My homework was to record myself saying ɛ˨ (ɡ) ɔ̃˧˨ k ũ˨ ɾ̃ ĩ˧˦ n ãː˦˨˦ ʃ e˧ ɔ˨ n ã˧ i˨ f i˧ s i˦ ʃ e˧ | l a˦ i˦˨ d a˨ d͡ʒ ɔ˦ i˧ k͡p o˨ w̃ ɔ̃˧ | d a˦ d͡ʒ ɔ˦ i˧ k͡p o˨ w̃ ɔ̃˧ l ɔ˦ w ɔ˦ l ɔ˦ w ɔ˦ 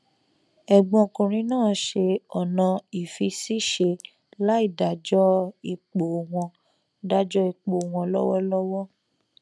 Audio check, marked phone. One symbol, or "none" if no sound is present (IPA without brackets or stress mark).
ɡ͡b